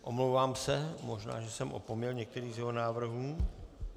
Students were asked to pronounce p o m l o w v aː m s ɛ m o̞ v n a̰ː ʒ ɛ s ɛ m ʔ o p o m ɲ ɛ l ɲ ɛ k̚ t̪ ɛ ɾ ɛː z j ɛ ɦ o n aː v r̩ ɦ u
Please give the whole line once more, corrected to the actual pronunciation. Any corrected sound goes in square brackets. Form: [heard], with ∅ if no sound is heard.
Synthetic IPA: [ʔ] o m l o w v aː m s ɛ m o̞ [ʒ] n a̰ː ʒ ɛ s ɛ m ʔ o p o m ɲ ɛ l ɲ ɛ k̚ t̪ ɛ ɾ [iː] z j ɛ ɦ o n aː v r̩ ɦ [uː]